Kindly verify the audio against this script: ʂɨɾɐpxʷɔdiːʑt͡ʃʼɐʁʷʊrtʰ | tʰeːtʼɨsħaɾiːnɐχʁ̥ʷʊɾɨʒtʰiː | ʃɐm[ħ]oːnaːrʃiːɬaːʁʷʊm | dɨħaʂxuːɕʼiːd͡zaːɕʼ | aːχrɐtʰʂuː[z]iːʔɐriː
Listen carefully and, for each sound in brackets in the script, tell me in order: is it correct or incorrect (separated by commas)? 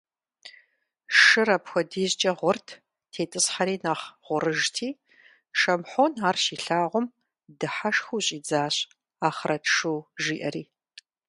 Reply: correct, incorrect